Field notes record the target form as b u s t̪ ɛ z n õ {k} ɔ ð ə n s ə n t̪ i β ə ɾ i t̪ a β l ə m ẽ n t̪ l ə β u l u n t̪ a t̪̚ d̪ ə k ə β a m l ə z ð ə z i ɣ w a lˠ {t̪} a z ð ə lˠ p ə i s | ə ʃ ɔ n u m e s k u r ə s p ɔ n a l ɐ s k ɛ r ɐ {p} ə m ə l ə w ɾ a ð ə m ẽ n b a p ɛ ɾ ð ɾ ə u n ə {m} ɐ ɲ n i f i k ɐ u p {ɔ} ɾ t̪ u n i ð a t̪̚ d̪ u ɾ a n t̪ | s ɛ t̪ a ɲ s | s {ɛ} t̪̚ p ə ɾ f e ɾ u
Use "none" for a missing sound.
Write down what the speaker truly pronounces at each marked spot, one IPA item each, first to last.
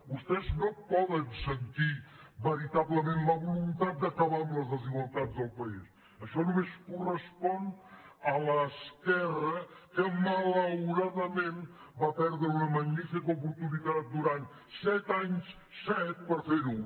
p, t̪, k, m, u, ɛ

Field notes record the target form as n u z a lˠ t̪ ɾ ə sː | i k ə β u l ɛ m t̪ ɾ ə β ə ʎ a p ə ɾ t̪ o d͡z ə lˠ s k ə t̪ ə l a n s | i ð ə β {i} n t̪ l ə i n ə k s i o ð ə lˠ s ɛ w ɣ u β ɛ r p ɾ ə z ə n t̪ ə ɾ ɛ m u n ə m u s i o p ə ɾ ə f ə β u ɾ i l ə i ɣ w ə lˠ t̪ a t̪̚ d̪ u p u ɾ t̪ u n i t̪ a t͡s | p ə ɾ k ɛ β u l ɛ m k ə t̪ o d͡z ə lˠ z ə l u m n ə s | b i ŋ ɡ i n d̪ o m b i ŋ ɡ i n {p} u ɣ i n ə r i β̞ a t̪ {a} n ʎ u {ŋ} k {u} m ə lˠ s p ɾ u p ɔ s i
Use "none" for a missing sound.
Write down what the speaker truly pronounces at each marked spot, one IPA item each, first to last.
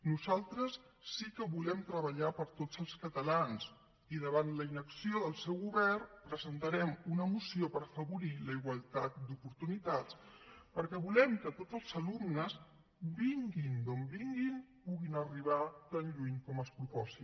a, p, a, ɲ, ɔ

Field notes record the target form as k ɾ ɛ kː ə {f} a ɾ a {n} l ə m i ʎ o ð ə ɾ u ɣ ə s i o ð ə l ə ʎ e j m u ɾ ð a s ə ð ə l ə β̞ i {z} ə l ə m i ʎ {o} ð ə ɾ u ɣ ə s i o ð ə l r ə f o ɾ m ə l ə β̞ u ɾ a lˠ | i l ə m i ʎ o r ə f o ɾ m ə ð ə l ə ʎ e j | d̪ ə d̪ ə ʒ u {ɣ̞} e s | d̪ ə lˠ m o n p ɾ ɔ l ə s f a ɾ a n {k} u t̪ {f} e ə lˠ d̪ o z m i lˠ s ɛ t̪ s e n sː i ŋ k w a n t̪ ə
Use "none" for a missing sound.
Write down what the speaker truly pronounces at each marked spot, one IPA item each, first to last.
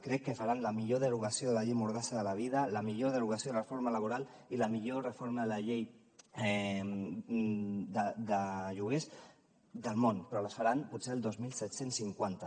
f, n, ð, o, ɣ̞, p, s

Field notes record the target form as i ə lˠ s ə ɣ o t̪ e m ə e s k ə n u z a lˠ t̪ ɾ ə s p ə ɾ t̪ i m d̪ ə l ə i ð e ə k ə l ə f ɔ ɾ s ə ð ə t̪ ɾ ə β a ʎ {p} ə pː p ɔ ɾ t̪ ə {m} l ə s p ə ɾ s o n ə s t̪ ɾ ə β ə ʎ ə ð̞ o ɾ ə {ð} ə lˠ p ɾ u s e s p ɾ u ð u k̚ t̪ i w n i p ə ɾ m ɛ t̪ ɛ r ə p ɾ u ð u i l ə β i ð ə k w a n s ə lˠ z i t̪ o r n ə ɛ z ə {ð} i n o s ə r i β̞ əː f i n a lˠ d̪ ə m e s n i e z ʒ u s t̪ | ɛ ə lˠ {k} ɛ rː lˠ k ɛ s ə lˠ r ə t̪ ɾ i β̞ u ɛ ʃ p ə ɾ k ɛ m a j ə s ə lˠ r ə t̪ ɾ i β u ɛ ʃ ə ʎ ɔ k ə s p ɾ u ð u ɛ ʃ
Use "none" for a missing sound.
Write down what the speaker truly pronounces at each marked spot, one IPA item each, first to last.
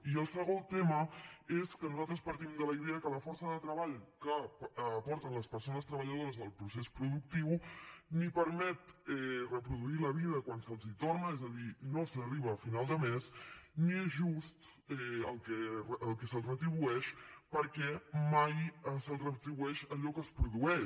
k, n, z, ð, k

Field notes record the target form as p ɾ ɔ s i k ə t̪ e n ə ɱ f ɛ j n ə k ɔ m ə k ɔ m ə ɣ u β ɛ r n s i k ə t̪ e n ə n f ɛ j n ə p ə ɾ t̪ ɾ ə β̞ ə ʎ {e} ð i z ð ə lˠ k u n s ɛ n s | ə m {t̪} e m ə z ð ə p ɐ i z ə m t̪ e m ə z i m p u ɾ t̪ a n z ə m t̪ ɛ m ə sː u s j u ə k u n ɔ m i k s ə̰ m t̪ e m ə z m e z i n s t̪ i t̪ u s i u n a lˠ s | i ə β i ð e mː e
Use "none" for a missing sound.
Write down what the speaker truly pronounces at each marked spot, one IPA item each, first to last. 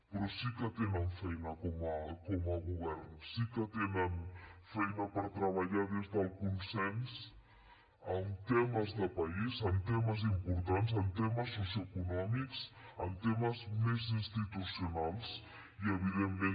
a, t̪

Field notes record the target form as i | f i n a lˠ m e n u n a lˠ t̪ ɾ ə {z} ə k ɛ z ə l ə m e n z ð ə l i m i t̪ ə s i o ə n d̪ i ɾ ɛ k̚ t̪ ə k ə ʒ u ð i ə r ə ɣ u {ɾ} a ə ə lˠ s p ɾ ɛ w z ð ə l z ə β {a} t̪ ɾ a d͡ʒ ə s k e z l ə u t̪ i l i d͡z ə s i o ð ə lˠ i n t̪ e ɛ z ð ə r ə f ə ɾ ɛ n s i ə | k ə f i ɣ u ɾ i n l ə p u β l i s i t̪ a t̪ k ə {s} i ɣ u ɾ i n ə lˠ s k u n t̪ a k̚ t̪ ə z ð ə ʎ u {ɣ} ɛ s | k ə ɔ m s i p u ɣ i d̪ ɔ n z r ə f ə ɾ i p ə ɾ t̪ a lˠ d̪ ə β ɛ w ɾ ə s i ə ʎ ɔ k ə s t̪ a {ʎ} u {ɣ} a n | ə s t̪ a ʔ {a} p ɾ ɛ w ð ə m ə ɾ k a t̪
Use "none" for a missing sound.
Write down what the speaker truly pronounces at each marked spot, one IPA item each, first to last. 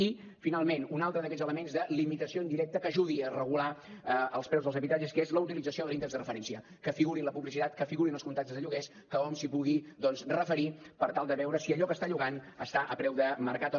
ð, l, i, f, ɣ, ʎ, ɣ, ə

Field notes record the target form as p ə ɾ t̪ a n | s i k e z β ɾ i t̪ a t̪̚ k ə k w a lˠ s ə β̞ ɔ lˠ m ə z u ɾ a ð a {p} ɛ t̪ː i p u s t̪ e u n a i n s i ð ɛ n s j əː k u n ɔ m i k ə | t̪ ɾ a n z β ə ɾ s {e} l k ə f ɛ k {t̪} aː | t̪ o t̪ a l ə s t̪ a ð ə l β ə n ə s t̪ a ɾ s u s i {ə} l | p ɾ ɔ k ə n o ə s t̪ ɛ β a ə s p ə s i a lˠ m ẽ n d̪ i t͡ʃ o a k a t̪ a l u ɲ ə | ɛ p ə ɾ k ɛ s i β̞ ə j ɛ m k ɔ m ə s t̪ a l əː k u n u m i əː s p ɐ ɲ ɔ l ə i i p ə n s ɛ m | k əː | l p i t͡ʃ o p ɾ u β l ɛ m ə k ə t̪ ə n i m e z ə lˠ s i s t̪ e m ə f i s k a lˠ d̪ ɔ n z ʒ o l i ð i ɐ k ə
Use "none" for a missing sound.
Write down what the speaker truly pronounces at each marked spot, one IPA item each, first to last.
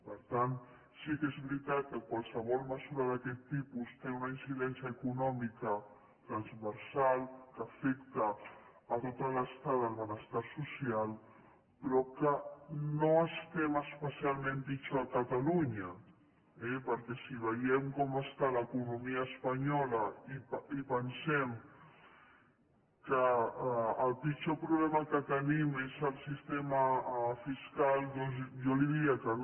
k, a, t̪, a

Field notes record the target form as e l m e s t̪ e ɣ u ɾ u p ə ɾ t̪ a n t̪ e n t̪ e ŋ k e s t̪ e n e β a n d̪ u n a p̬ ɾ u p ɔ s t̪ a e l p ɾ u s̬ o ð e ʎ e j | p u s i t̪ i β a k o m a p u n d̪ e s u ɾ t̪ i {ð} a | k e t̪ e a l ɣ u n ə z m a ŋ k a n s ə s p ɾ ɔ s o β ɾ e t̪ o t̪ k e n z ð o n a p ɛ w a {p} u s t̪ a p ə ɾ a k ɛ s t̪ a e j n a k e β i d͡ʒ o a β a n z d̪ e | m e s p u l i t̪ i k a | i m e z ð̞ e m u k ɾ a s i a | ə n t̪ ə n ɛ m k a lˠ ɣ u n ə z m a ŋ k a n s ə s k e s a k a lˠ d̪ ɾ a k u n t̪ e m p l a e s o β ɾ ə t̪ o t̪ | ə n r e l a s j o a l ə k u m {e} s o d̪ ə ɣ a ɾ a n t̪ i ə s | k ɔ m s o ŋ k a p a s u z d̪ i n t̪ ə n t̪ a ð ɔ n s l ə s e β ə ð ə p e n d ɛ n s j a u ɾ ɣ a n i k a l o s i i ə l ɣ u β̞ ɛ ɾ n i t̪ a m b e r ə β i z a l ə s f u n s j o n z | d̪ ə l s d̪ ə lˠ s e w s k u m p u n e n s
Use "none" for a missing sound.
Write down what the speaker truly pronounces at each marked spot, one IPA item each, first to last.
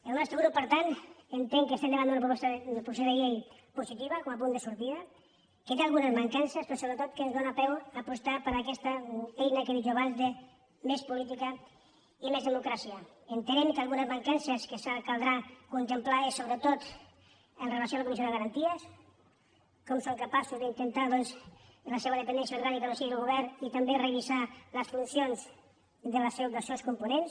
ð, p, i

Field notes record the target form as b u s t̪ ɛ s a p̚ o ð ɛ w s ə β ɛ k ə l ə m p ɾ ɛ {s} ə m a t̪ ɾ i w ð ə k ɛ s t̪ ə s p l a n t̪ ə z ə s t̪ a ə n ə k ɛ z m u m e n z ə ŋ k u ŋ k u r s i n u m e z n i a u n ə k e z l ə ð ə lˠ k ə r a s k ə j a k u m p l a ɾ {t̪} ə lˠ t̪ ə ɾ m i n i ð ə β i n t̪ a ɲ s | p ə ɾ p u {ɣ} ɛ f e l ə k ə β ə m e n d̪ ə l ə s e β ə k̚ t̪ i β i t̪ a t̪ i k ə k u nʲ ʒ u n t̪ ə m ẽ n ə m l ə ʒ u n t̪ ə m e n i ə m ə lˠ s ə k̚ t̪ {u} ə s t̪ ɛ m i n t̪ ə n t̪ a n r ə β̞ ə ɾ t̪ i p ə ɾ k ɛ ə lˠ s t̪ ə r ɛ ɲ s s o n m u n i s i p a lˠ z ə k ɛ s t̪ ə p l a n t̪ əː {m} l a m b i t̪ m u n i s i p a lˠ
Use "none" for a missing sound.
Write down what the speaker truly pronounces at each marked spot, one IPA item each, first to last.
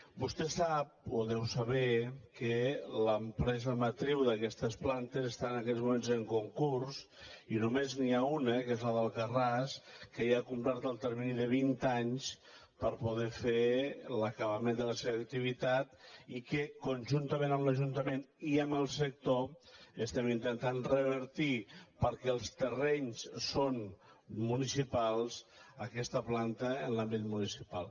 z, t̪, ð, o, n

